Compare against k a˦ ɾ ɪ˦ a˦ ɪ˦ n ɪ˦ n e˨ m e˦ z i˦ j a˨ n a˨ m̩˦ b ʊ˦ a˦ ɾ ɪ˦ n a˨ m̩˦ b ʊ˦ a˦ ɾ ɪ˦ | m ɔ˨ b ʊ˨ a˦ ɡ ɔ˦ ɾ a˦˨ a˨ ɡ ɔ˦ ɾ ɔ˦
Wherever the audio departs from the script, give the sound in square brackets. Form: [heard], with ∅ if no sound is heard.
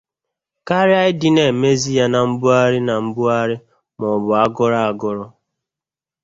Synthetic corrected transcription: k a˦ ɾ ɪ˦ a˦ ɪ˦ [d] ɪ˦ n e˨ m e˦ z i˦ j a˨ n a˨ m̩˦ b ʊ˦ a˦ ɾ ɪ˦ n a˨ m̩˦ b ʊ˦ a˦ ɾ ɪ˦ | m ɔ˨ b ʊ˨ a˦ ɡ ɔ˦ ɾ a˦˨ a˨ ɡ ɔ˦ ɾ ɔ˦